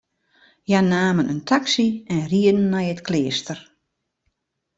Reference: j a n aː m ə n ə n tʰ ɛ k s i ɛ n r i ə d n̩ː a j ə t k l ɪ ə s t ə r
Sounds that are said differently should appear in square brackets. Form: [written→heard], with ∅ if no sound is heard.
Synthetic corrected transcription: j a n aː m ə n ə n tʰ [ɛ→a] k s i ɛ n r i ə d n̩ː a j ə t k l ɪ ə s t ə r